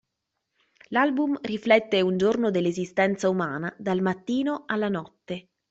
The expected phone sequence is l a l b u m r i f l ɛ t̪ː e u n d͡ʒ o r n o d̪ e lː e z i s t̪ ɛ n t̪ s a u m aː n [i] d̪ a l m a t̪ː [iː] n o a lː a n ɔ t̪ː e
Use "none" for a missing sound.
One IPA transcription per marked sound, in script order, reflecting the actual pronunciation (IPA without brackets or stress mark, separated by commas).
a, iː